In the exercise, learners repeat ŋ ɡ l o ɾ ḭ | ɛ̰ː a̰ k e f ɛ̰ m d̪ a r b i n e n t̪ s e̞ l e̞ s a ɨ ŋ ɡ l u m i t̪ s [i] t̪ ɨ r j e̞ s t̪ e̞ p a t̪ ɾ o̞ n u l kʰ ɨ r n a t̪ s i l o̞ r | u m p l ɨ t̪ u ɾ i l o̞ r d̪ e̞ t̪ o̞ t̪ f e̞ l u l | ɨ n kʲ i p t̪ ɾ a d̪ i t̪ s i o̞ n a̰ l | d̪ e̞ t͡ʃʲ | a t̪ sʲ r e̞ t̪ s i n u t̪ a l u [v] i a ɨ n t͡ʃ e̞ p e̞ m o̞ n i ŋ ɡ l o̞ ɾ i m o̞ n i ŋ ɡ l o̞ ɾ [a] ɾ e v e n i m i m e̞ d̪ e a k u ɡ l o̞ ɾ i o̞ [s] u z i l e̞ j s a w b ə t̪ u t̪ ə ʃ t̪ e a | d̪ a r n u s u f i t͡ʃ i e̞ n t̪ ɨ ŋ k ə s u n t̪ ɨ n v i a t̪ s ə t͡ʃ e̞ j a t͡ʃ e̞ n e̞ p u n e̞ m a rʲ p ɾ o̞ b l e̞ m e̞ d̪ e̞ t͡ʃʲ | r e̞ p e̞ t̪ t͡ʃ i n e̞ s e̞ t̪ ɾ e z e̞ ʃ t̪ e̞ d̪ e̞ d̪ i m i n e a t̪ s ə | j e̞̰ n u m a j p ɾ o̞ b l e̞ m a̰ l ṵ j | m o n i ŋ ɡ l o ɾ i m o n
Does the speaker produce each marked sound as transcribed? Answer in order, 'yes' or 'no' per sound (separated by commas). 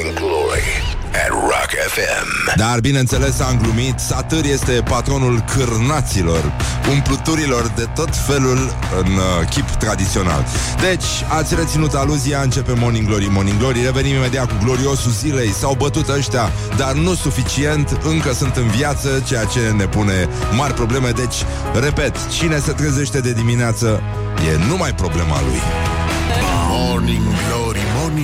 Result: no, no, no, yes